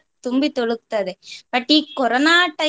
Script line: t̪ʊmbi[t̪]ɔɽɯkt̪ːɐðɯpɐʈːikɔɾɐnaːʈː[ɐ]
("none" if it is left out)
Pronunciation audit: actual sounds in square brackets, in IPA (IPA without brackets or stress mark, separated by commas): t̪, ɐ